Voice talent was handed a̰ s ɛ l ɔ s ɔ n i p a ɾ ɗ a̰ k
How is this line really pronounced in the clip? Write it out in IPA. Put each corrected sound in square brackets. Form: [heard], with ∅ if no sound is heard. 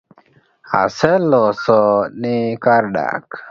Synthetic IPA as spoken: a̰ s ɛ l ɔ s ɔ n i [k] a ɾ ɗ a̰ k